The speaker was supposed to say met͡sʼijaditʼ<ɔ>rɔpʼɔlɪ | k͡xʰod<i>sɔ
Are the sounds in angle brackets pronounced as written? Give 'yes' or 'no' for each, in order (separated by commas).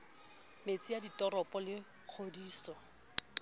yes, no